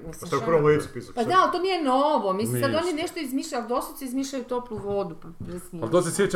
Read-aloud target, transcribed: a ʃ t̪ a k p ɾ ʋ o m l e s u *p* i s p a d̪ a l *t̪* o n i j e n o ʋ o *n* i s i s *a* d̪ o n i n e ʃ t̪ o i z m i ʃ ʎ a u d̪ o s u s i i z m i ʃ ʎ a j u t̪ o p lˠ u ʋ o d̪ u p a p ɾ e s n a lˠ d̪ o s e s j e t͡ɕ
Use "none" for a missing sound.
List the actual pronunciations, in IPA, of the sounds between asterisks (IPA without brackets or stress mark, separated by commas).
p, t̪, m, a